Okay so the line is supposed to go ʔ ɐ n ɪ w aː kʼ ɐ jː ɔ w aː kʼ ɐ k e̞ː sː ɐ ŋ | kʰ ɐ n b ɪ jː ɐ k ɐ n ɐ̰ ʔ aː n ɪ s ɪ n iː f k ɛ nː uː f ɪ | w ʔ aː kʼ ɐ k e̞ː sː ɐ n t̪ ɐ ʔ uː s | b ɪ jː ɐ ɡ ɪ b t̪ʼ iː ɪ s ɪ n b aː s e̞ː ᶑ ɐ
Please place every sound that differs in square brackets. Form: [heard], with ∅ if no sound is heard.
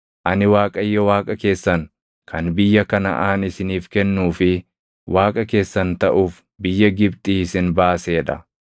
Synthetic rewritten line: ʔ ɐ n ɪ w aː kʼ ɐ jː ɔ w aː kʼ ɐ k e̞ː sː ɐ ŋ | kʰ ɐ n b ɪ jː ɐ k ɐ n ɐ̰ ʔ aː n ɪ s ɪ n iː f k ɛ nː uː f ɪ | w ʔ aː kʼ ɐ k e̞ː sː ɐ n t̪ ɐ ʔ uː [f] | b ɪ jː ɐ ɡ ɪ b t̪ʼ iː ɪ s ɪ n b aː s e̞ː ᶑ ɐ